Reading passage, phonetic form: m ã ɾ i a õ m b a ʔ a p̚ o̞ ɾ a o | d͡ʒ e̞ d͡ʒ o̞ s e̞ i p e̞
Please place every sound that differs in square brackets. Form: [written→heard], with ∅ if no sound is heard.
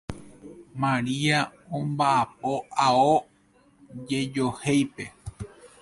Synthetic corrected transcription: m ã ɾ i a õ m b a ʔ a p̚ o̞ [ɾ→∅] a o | d͡ʒ e̞ d͡ʒ o̞ [s→h] e̞ [i→j] p e̞